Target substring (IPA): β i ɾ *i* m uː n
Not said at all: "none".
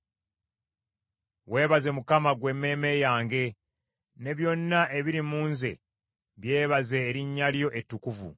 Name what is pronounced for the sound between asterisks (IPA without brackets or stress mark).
i